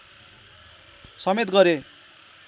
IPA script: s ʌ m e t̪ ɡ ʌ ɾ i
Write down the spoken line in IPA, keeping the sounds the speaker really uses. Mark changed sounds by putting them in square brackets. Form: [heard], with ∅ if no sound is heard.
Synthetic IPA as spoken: s ʌ m e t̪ ɡ ʌ ɾ [e]